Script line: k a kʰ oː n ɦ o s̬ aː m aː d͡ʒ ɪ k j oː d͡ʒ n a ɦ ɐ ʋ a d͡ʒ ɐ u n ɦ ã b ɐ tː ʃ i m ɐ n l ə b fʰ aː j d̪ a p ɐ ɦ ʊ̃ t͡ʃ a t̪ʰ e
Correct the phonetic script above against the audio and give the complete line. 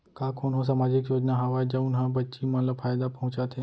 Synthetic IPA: k a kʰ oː n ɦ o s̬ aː m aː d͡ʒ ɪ k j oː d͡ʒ n a ɦ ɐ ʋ a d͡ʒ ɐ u n ɦ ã b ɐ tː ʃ i m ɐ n l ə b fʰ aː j d̪ a p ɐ ɦ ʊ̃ t͡ʃ a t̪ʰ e